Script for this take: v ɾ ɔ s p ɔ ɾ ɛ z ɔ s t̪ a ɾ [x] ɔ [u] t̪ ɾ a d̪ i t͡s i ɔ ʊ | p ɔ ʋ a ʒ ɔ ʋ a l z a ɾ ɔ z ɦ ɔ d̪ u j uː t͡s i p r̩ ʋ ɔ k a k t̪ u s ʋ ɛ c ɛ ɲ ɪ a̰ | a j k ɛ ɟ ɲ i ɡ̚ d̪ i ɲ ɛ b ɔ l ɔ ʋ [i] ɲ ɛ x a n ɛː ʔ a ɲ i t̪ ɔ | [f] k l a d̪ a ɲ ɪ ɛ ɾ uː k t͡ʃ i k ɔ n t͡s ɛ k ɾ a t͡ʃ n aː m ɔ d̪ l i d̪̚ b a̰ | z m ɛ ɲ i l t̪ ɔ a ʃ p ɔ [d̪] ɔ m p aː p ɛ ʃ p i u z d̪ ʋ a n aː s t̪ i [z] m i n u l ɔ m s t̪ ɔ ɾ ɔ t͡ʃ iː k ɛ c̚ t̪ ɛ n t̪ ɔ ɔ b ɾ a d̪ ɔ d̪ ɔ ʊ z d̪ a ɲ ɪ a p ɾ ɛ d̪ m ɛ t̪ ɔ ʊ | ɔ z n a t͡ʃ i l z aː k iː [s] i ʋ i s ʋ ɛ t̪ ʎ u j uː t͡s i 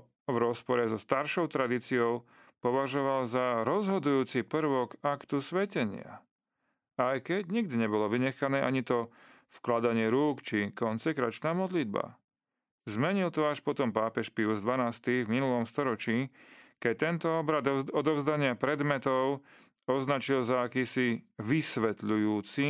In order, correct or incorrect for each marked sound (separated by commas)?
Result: incorrect, incorrect, correct, correct, incorrect, incorrect, correct